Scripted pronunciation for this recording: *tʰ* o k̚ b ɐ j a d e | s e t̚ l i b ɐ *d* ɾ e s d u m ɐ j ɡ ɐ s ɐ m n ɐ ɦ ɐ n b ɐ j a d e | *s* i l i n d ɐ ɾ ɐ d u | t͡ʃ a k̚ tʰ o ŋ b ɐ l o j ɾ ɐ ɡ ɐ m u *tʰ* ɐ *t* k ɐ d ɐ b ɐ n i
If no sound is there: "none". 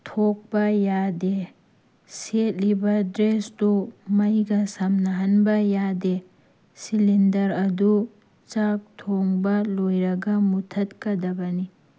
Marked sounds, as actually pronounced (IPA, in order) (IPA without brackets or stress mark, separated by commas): tʰ, d, s, tʰ, t